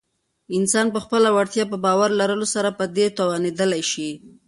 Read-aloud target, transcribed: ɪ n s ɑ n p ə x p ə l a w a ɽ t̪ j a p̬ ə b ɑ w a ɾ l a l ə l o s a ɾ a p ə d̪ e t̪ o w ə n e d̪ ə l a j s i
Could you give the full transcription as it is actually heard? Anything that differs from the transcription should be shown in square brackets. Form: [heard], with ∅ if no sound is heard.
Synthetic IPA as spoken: ɪ n s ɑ n p ə x p ə l a w a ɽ t̪ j [ɑ] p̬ ə b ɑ w a ɾ l a [ɾ] ə l o s a ɾ a p ə d̪ e t̪ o w [ɑ] n e d̪ ə l a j [ʃ] i